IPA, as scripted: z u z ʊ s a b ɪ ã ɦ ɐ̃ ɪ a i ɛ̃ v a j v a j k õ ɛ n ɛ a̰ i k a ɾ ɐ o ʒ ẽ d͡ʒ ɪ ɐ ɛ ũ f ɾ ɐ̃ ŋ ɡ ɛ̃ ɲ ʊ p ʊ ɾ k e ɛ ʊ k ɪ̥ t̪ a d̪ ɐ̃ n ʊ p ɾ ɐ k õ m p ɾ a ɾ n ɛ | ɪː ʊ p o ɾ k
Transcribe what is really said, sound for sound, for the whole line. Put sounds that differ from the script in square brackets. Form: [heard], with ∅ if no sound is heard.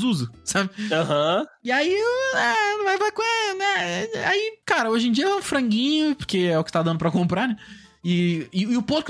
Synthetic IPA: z u z ʊ s a b ɪ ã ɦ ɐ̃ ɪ a i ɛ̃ v a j v a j k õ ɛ n ɛ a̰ i k a ɾ ɐ o ʒ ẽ d͡ʒ [i] ɐ ɛ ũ f ɾ ɐ̃ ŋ ɡ [ĩ] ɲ ʊ p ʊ ɾ k e ɛ ʊ k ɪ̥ t̪ a d̪ ɐ̃ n ʊ p ɾ ɐ k õ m p ɾ a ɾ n ɛ | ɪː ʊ p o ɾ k